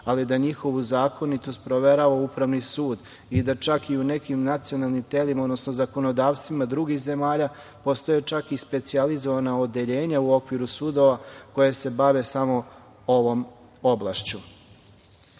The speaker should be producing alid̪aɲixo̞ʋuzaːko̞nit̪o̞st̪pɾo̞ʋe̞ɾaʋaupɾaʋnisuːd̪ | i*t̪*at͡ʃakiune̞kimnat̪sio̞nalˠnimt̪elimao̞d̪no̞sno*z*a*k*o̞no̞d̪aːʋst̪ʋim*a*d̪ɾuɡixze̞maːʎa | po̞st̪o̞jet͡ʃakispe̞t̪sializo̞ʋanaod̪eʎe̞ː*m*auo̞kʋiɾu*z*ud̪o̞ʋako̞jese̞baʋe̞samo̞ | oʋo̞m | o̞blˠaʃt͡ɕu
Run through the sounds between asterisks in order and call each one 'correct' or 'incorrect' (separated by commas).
incorrect, correct, correct, correct, incorrect, incorrect